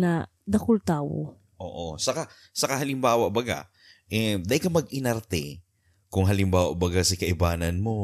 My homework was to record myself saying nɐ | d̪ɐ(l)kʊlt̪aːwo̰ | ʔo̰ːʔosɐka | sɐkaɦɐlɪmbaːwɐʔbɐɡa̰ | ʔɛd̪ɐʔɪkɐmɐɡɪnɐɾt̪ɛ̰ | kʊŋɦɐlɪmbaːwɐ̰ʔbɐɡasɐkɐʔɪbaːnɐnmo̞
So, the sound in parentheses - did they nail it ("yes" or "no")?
no